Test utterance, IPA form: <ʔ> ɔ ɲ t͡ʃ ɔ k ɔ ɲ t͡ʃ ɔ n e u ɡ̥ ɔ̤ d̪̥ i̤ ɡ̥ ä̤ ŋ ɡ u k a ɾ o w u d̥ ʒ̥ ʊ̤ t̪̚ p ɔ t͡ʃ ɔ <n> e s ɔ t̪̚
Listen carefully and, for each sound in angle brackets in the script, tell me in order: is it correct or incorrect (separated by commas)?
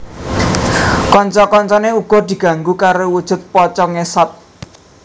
incorrect, incorrect